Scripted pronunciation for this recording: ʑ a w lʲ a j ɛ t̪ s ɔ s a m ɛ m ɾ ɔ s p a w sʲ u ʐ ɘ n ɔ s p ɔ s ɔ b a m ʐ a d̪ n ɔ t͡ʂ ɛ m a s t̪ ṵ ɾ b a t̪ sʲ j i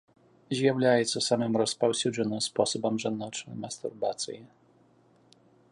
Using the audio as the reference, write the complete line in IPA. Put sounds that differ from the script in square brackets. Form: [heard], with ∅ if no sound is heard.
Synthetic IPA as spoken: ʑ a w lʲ a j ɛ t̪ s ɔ s a m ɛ m ɾ ɔ s p a w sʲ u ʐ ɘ n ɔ s p ɔ s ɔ b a m ʐ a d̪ n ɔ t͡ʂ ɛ m a s t̪ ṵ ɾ b a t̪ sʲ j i